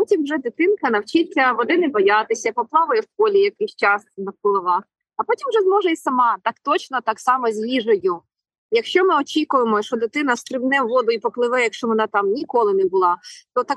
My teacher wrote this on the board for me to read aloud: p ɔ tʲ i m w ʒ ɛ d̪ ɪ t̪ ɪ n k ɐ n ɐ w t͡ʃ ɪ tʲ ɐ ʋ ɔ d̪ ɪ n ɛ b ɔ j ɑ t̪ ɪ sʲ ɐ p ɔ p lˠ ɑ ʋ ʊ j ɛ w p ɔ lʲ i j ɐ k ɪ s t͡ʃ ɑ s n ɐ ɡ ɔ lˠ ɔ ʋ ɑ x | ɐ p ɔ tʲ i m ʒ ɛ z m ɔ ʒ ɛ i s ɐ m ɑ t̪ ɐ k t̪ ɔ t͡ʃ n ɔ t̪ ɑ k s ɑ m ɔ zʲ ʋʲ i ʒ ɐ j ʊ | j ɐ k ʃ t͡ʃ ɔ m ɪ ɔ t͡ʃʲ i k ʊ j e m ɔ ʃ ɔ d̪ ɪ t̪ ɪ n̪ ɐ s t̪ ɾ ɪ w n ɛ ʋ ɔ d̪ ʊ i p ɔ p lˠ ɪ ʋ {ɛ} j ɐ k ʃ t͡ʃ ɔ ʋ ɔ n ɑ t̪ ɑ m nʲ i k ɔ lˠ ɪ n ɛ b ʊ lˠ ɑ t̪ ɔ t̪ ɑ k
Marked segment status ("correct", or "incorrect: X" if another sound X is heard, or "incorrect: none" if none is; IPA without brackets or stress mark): correct